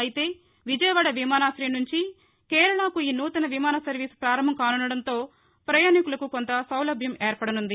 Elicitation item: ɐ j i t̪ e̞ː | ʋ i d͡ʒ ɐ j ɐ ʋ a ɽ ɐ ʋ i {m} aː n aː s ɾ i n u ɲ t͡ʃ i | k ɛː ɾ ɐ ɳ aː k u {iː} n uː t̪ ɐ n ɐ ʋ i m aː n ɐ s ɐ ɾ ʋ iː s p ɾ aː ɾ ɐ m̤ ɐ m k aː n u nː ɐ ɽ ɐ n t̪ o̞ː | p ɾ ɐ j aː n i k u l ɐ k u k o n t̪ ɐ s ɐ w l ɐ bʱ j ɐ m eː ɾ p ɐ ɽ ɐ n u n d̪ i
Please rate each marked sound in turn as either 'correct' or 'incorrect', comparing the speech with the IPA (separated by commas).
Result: correct, correct